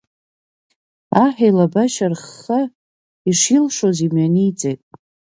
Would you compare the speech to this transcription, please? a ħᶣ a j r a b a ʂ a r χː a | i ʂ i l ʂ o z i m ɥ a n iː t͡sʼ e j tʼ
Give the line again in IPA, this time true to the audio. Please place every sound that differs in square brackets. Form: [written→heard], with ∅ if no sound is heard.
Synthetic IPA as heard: a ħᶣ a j [r→l] a b a [ʂ→ʃ] a r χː a | i ʂ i l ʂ o z i m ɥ a n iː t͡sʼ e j tʼ